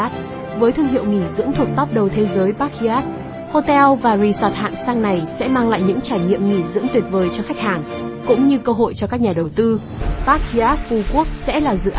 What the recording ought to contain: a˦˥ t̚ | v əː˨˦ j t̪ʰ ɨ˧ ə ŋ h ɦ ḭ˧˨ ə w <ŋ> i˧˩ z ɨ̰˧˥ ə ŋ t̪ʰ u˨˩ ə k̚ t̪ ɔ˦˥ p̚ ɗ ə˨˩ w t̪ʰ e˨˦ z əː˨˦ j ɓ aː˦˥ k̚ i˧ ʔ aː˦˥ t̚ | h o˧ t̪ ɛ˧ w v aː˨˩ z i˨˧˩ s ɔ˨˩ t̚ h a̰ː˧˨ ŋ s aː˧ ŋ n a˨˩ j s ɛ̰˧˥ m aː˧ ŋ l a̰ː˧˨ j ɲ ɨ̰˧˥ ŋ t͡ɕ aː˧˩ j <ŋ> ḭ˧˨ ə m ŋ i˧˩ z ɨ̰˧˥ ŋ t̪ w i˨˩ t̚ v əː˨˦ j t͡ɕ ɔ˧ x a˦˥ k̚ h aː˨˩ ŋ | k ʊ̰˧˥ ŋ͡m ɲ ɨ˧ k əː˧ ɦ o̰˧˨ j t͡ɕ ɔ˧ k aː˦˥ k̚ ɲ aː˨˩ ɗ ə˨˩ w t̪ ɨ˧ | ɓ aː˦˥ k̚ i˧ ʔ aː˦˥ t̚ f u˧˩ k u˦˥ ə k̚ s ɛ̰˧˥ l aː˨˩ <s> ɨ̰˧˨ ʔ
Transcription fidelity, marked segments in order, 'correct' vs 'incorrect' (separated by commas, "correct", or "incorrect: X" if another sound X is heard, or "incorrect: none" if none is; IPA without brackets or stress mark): correct, incorrect: ɲ, incorrect: z